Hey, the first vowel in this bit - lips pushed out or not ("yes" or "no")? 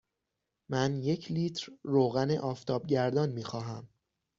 no